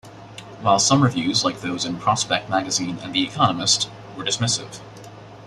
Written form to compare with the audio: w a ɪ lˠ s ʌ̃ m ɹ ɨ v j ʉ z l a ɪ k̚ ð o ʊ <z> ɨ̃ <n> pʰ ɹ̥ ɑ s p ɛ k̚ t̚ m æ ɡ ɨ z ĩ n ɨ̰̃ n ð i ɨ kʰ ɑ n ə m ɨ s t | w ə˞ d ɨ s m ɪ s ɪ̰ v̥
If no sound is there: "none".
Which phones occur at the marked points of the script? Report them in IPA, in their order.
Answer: z, n

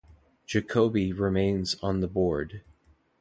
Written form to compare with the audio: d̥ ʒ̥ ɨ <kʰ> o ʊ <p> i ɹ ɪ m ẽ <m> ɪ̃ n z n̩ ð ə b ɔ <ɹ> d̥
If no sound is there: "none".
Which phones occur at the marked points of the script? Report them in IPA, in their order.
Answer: kʰ, b, none, ɹ

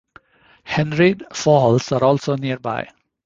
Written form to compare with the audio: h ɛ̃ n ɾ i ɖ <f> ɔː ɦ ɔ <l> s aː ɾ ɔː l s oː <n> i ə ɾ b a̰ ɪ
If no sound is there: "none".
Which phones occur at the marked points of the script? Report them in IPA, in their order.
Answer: f, l, n

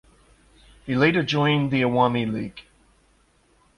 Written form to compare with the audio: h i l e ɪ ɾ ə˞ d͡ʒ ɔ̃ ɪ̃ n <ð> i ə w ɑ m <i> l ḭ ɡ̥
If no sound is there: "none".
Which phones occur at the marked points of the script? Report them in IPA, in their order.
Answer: ð, i

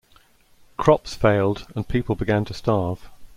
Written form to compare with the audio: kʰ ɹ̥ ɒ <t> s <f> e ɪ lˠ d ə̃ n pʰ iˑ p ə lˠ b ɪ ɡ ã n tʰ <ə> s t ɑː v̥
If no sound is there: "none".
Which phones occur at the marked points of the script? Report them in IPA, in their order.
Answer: p, f, ə

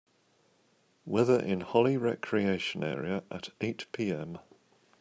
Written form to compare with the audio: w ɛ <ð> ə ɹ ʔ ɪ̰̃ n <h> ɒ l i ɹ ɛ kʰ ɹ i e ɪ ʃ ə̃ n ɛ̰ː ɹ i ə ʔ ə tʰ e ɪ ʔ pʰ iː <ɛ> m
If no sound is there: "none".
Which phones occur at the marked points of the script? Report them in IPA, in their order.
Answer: ð, h, ɛ̃

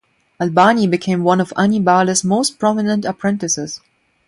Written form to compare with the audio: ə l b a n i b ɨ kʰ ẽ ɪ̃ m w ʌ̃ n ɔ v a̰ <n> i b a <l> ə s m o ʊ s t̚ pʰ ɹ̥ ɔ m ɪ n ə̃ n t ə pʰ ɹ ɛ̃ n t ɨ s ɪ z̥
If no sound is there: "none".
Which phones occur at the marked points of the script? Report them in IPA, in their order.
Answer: n, l

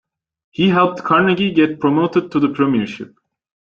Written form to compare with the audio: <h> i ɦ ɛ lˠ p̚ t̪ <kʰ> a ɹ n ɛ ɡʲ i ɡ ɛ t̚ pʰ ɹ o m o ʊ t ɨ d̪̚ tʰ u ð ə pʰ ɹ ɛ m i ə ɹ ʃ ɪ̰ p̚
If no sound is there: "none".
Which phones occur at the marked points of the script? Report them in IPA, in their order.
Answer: h, kʰ

